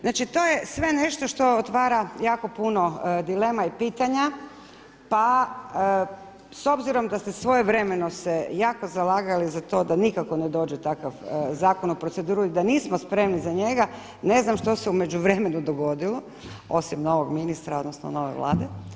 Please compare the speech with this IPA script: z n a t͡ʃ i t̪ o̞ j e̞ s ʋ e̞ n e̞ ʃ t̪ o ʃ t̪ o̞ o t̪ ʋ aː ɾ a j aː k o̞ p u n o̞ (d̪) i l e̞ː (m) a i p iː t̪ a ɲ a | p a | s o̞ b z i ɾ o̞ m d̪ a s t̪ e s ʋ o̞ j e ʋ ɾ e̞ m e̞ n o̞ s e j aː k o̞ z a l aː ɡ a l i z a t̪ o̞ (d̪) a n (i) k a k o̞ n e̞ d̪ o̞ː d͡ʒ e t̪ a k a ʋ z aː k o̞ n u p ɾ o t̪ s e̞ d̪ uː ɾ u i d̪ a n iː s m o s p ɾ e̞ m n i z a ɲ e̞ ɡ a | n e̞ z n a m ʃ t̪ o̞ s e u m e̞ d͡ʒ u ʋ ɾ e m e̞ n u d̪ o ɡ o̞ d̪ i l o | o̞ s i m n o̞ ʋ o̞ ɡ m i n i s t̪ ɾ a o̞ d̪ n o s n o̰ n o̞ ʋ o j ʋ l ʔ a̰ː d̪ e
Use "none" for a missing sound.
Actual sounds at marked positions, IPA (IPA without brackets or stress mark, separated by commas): d̪, m, d̪, i